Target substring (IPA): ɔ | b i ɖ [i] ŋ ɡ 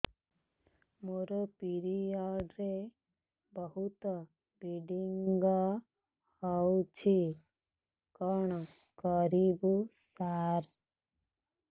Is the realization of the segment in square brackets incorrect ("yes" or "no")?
no